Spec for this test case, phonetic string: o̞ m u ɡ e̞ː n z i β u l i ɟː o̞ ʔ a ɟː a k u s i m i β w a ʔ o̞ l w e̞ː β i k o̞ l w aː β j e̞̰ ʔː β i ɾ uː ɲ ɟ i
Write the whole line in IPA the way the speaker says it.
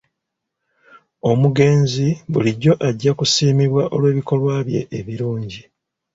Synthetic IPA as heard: o̞ m u ɡ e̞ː n z i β u l i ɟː o̞ ʔ a ɟː a k u s iː m i β w a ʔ o̞ l w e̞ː β i k o̞ l w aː β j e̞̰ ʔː β i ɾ uː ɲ ɟ i